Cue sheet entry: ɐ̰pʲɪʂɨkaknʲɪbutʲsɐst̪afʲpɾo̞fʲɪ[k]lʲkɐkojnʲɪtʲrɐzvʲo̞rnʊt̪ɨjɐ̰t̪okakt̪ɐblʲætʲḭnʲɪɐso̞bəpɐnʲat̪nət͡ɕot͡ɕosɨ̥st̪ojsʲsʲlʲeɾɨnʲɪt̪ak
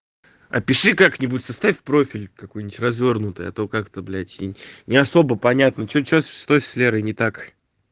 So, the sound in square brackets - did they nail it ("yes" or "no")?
no